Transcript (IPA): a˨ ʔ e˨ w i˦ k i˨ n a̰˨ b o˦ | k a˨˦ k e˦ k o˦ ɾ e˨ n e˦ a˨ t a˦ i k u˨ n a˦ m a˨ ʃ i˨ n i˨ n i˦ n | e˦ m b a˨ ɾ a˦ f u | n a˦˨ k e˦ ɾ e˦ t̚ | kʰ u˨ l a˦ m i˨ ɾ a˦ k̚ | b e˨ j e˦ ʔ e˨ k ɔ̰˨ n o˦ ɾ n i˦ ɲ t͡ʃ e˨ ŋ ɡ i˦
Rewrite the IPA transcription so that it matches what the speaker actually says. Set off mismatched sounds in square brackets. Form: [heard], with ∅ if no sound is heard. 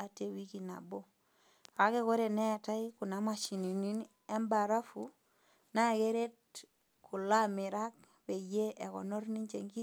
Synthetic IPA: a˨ [t] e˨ w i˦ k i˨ n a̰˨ b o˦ | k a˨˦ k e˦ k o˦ ɾ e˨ n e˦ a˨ t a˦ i k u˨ n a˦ m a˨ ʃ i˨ n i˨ n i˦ n | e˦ m b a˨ ɾ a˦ f u | n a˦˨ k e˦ ɾ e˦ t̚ | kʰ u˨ l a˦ m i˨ ɾ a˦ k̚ | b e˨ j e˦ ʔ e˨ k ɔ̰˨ n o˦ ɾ n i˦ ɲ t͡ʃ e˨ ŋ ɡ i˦

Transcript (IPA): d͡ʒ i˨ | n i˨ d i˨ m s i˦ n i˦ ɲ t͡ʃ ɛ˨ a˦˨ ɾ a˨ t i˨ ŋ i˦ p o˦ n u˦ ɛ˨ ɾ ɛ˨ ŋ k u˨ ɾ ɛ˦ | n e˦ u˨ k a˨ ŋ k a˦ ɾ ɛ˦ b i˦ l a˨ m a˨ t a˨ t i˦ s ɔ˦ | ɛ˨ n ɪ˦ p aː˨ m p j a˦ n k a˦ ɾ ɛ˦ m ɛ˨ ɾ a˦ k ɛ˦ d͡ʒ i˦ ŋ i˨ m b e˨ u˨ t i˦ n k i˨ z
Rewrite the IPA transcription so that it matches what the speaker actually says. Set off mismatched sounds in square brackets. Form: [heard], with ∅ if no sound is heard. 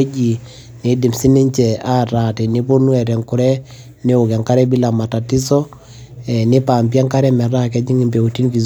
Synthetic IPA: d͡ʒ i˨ | n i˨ d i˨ m s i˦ n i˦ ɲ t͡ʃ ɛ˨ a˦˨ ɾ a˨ t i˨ [n] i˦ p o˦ n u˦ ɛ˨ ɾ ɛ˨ ŋ k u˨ ɾ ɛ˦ | n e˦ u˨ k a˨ ŋ k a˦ ɾ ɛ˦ b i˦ l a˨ m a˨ t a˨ t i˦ s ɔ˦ | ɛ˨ n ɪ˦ p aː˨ m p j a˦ [ŋ] k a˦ ɾ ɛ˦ m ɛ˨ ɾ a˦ k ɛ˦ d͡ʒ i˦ ŋ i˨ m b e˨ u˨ t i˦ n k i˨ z

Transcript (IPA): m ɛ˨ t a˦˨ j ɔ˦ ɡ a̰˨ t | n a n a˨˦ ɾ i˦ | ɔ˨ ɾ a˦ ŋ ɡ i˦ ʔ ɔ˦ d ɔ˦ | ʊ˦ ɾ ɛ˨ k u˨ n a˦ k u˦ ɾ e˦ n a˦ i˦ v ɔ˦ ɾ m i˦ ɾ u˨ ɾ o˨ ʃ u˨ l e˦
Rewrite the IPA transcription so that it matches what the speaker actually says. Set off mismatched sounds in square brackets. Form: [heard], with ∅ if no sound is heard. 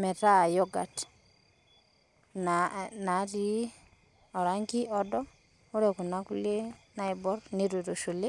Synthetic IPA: m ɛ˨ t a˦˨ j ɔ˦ ɡ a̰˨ t | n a n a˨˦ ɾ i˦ | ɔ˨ ɾ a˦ ŋ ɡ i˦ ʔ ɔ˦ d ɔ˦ | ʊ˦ ɾ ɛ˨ k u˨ n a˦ k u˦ [l] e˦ n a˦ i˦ [b] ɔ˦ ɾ [n] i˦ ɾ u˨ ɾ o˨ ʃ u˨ l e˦

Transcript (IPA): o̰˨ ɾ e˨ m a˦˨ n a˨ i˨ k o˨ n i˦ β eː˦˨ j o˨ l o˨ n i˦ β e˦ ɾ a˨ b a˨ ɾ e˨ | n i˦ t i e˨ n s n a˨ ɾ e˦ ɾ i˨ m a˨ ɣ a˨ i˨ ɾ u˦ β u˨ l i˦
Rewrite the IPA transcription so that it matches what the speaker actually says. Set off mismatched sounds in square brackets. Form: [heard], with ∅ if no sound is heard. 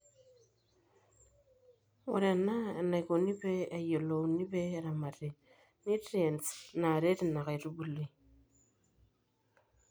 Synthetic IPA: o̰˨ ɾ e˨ [n] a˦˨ n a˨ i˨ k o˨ n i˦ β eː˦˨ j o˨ l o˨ n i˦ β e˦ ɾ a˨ [m] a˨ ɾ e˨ | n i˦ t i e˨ n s n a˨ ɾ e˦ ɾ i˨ [n] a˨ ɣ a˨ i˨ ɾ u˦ β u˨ l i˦

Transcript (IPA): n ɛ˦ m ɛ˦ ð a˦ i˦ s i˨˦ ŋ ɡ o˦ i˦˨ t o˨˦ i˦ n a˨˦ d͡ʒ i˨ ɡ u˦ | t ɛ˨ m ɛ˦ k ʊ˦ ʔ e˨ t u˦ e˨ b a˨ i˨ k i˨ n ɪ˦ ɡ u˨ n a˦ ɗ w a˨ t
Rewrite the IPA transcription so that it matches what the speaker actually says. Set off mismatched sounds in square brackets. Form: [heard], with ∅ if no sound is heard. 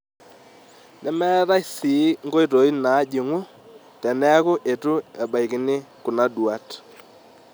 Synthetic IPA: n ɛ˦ m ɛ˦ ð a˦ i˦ s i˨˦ ŋ ɡ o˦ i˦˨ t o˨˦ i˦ n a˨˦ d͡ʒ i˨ [ŋ] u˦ | t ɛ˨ [n] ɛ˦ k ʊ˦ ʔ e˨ t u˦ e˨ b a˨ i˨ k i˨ n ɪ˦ [k] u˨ n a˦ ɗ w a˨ t

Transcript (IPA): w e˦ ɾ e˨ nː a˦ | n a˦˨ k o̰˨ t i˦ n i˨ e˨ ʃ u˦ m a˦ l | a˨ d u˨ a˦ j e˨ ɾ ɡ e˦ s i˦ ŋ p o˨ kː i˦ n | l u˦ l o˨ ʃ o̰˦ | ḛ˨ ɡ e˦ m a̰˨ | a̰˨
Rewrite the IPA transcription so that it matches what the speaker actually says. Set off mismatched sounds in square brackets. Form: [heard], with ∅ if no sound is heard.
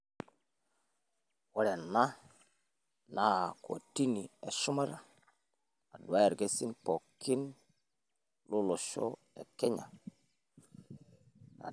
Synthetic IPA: w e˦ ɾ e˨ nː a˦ | n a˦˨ k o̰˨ t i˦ n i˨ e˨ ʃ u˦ m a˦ [ɾ] | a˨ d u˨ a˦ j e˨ ɾ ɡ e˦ s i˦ [n] p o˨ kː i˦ n | l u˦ l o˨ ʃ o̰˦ | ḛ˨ [k] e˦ [ɲ] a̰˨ | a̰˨

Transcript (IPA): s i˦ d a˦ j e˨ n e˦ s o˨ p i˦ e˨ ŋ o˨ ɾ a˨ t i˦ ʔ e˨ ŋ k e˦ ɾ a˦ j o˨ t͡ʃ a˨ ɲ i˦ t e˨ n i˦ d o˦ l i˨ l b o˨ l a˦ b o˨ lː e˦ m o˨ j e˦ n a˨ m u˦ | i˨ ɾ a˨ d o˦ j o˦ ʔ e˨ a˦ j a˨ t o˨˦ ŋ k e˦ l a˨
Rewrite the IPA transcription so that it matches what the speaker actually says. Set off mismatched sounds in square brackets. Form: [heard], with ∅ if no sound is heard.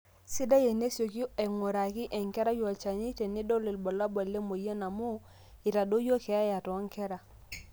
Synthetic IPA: s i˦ d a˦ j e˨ n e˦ s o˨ [k] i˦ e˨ ŋ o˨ ɾ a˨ [k] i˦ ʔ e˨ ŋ k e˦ ɾ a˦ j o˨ t͡ʃ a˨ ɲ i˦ t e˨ n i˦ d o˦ l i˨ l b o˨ l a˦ b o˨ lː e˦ m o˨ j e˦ n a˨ m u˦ | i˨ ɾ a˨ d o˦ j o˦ [k] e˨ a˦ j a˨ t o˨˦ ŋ k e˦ [ɾ] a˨

